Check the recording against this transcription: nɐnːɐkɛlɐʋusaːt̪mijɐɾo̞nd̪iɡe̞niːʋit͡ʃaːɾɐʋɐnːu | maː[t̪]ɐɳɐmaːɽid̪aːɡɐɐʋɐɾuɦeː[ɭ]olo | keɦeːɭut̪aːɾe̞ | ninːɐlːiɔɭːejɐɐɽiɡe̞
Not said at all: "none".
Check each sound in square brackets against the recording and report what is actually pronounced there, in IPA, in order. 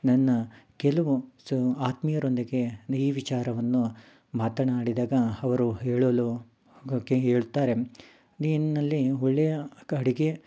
t̪, ɭ

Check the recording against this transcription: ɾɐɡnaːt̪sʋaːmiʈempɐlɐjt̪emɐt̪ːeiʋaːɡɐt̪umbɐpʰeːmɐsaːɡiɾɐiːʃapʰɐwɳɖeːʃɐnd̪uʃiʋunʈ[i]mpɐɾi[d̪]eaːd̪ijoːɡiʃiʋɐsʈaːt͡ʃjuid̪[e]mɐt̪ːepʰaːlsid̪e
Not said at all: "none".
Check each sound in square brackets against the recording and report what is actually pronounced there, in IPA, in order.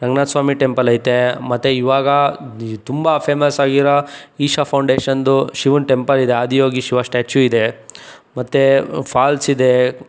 e, d̪, e

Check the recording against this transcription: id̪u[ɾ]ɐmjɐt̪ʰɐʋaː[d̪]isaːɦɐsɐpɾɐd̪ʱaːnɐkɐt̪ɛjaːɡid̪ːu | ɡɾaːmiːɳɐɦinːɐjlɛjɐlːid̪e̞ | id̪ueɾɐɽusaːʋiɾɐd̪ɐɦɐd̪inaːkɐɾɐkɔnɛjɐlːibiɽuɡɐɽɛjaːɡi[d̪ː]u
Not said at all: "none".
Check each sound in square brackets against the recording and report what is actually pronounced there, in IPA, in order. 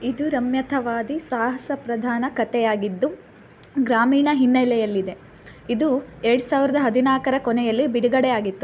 ɾ, d̪, t̪ː

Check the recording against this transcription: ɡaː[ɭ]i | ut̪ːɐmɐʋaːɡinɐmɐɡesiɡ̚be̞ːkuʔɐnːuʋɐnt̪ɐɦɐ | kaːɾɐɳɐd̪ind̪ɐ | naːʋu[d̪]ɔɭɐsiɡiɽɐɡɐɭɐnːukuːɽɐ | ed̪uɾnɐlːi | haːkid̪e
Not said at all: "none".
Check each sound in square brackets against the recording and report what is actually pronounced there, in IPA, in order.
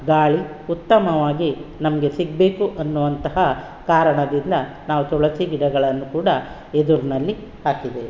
ɭ, t̪

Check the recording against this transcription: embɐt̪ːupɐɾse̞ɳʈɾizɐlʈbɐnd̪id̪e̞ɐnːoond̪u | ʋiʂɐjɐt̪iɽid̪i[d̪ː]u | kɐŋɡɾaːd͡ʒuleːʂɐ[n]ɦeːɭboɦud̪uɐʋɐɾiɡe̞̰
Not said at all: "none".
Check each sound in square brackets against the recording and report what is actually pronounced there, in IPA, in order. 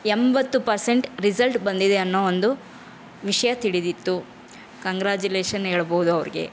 t̪ː, n

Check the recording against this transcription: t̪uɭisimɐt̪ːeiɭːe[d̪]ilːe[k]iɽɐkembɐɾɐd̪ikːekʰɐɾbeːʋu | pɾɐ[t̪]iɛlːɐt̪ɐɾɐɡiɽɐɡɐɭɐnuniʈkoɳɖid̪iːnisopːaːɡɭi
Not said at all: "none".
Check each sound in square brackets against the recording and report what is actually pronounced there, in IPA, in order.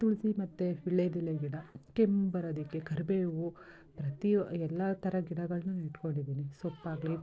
d̪, ɡ, t̪

